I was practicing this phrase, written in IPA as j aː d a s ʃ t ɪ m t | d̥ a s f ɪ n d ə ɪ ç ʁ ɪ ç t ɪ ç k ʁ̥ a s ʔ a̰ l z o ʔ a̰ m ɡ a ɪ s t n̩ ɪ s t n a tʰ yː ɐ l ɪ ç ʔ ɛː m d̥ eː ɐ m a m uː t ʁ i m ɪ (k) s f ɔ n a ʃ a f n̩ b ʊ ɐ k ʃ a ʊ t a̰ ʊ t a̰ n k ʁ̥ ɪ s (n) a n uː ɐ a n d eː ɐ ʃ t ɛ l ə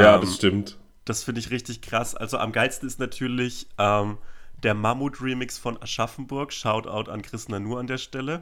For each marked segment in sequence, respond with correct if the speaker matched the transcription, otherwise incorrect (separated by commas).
correct, correct